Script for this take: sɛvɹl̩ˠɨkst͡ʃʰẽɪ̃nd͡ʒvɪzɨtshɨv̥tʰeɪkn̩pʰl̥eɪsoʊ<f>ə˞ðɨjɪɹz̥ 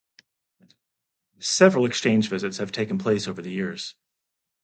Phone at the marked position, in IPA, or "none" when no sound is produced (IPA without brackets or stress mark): v